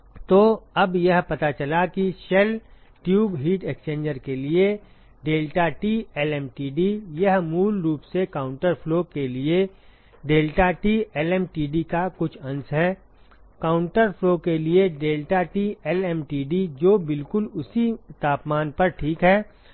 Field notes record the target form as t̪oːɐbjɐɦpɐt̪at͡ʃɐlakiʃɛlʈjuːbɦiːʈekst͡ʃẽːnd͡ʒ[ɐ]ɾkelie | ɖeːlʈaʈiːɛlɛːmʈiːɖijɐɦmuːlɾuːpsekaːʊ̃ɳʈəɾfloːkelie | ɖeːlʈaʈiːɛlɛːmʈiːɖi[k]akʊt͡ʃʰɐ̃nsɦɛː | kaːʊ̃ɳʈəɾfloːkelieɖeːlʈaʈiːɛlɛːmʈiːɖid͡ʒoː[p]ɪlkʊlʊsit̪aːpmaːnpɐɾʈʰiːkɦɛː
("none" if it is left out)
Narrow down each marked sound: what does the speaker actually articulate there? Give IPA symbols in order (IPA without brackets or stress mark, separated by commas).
ə, k, b